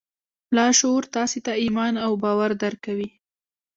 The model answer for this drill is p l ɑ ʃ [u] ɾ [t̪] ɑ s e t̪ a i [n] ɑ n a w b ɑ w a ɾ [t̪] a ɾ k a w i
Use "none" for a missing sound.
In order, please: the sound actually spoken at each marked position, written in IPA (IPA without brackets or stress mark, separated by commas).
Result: o, t̪, m, d̪